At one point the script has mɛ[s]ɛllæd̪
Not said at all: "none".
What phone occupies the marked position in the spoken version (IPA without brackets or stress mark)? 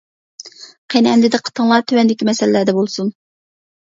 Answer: s